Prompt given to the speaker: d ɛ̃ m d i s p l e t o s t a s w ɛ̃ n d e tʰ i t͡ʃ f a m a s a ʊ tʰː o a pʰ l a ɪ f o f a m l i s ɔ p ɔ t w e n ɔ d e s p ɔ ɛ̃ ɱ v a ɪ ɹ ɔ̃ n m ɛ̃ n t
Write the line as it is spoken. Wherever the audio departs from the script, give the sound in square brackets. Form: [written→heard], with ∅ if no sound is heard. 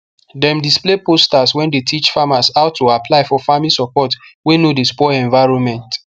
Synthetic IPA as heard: d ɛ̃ m d i s p l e [t→p] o s t a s w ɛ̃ n d e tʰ i t͡ʃ f a m a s a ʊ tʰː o a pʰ l a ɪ f [o→ɔ] f a m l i s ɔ p ɔ t w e n [ɔ→o] d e s p ɔ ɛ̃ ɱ v a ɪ ɹ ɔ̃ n m ɛ̃ n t